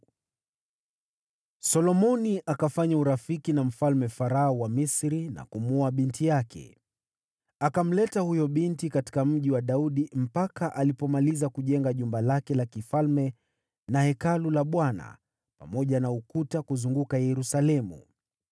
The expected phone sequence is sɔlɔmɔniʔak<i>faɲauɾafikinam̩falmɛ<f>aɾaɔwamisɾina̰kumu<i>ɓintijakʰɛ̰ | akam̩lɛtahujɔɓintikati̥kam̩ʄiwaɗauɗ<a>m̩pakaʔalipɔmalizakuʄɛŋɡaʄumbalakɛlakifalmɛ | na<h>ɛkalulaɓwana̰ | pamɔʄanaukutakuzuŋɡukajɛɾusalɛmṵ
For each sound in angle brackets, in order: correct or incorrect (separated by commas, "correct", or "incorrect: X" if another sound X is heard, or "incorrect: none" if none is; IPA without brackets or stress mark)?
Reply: incorrect: a, correct, incorrect: a, incorrect: i, correct